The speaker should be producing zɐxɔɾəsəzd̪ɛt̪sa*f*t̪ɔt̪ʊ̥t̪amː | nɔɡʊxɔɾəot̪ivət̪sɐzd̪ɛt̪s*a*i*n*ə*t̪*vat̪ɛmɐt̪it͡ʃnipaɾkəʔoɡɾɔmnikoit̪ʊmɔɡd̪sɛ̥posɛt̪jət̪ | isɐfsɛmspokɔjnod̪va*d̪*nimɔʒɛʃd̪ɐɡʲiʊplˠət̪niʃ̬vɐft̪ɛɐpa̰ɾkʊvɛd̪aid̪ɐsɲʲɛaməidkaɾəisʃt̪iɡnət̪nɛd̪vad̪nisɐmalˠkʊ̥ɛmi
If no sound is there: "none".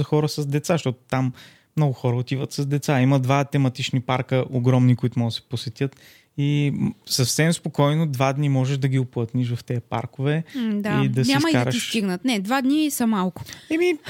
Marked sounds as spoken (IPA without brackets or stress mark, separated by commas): ʃ, a, m, d̪, d̪